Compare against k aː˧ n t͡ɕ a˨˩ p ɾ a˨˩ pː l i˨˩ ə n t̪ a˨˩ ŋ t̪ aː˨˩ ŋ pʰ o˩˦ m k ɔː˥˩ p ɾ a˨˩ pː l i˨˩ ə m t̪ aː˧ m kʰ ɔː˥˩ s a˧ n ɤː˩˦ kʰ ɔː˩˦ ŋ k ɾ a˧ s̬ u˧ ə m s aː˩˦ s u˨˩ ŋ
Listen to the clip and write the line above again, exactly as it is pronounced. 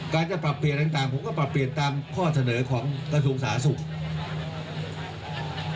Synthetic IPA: k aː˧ n t͡ɕ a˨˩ p ɾ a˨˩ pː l i˨˩ ə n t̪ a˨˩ ŋ t̪ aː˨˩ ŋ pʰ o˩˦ m k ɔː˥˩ p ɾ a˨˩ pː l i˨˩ ə n t̪ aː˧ m kʰ ɔː˥˩ s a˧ n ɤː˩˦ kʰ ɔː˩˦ ŋ k ɾ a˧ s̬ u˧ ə ŋ s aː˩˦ s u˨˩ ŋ